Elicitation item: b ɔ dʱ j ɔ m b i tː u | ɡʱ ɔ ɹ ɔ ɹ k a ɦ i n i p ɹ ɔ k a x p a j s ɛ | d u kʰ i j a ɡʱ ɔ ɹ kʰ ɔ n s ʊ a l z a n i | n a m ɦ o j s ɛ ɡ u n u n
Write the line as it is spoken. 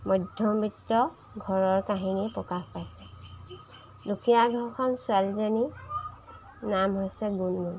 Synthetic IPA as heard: m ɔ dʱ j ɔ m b i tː ɔ | ɡʱ ɔ ɹ ɔ ɹ k a ɦ i n i p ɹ ɔ k a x p a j s ɛ | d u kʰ i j a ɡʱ ɔ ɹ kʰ ɔ n s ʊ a l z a n i | n a m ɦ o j s ɛ ɡ u n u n